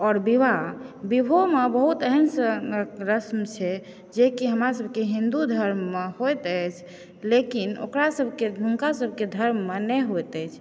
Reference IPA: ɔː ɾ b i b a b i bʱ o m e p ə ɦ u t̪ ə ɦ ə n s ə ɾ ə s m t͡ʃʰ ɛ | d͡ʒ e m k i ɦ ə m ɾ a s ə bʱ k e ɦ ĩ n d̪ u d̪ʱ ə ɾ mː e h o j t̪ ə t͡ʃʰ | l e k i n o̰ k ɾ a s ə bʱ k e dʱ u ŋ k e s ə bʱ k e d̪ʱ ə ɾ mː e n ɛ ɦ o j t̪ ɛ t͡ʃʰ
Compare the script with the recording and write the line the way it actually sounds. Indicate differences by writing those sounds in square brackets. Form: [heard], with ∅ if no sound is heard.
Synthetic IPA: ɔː ɾ b i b a b i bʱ o m e [b] ə ɦ u t̪ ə ɦ ə n s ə ɾ ə s m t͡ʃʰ ɛ | d͡ʒ e [∅] k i ɦ ə m ɾ a s ə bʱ k e ɦ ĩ n d̪ u d̪ʱ ə ɾ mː e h o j t̪ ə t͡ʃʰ | l e k i n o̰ k ɾ a s ə bʱ k e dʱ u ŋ k [a] s ə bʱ k e d̪ʱ ə ɾ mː e n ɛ ɦ o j t̪ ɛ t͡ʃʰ